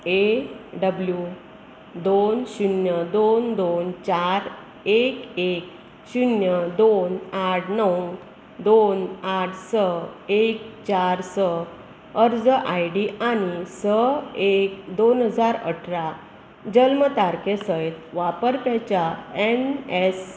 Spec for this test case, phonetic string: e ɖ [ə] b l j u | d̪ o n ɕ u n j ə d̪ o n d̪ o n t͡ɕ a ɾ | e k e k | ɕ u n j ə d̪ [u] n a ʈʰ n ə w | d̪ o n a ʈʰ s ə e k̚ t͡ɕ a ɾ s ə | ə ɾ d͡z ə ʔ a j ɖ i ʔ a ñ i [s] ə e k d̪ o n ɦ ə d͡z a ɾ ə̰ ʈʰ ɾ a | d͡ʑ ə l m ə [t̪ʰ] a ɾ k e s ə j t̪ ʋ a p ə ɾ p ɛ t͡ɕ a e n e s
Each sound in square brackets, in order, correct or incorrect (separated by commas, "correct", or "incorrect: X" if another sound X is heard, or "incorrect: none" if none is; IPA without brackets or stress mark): correct, incorrect: o, correct, incorrect: t̪